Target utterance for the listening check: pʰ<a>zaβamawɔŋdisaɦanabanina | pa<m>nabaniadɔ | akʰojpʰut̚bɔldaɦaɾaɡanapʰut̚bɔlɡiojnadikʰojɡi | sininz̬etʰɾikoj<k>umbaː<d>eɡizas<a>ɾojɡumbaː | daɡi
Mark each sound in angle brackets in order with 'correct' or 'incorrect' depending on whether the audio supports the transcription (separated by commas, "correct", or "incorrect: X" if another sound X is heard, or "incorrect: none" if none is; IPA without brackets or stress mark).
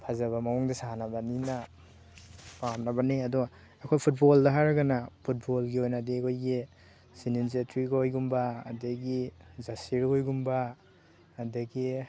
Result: correct, correct, incorrect: ɡ, correct, incorrect: i